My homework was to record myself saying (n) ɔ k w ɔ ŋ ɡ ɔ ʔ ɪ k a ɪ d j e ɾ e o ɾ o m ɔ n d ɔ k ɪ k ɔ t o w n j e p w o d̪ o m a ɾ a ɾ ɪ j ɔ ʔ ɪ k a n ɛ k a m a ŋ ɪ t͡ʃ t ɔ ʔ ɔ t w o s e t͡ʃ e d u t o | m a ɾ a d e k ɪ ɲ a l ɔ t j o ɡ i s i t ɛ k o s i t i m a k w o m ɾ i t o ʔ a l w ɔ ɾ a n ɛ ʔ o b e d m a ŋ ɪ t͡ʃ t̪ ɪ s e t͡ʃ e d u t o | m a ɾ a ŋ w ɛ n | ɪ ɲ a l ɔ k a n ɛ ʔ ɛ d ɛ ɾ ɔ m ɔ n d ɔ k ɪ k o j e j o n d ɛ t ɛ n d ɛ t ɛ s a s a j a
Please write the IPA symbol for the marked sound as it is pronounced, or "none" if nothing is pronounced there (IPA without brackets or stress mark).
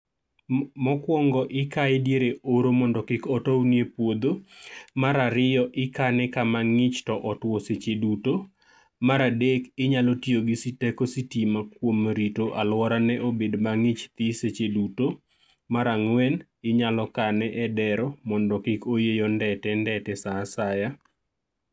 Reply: m